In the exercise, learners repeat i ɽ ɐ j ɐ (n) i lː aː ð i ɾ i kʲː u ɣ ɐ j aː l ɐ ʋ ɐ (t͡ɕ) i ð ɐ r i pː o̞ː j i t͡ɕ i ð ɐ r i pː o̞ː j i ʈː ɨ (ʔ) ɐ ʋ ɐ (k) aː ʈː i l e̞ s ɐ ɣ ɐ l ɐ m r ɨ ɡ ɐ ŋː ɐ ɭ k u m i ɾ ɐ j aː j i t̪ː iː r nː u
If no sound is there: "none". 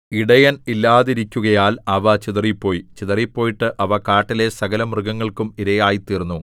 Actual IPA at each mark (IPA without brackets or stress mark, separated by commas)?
n, t͡ɕ, ʔ, k